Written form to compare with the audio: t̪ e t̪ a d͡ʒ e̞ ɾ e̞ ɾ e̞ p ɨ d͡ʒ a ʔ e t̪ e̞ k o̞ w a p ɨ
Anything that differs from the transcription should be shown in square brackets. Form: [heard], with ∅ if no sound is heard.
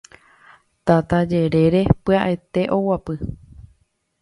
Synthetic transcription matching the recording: t̪ [a] t̪ a d͡ʒ e̞ ɾ e̞ ɾ e̞ p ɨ [∅] a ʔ e t̪ e̞ [ʔ] o̞ w a p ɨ